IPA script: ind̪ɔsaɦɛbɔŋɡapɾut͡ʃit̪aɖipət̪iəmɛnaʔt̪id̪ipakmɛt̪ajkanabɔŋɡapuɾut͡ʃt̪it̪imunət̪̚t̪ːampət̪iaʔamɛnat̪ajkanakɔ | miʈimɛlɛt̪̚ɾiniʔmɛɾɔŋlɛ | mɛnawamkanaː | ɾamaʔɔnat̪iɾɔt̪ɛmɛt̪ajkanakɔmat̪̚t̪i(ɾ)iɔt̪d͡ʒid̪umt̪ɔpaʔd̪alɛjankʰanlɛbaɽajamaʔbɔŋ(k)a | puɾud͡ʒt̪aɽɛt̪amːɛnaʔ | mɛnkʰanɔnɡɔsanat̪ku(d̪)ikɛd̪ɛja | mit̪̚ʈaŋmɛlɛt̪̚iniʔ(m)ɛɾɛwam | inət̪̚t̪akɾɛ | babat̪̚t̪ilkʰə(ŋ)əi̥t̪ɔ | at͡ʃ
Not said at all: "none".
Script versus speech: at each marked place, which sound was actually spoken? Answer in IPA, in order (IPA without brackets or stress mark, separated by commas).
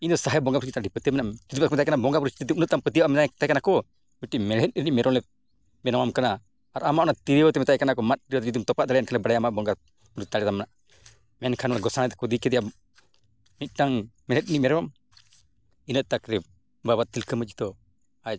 ɾ, ɡ, d̪, m, m